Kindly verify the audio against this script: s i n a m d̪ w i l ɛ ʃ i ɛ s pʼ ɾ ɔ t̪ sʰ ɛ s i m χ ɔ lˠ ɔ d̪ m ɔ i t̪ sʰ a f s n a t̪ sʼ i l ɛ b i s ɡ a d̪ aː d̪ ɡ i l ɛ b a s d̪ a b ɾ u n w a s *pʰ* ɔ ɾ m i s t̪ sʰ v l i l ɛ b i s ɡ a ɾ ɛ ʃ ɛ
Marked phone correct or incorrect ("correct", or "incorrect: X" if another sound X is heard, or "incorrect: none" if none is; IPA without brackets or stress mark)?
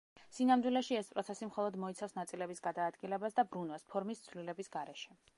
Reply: correct